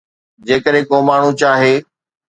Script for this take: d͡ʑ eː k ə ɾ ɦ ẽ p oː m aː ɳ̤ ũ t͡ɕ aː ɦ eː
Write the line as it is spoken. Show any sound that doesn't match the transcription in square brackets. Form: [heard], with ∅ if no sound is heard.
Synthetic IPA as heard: d͡ʑ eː k ə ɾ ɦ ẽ [k] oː m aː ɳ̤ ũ t͡ɕ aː ɦ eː